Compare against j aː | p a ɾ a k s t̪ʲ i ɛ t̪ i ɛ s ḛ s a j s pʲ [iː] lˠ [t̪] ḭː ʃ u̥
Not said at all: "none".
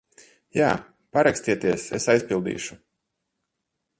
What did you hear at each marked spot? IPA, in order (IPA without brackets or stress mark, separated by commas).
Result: i, d̪